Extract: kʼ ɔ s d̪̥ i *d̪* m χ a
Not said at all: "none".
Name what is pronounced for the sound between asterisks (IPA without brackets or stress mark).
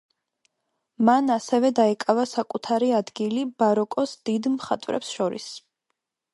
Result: d̪